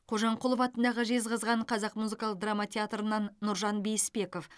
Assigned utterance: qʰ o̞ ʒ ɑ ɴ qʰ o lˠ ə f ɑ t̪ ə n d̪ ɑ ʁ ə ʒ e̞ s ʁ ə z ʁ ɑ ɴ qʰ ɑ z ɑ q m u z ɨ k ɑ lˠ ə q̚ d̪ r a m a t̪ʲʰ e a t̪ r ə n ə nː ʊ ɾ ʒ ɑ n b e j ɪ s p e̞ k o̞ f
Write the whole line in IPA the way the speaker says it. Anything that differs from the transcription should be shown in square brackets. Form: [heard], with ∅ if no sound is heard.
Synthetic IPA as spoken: qʰ o̞ ʒ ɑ ɴ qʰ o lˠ ə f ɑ t̪ ə n d̪ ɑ ʁ ə ʒ e̞ [z] ʁ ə z ʁ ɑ ɴ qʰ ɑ z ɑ q m u z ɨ k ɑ lˠ ə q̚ d̪ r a m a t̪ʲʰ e a t̪ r ə n [ɑ] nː ʊ ɾ ʒ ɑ n b e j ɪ s p e̞ k o̞ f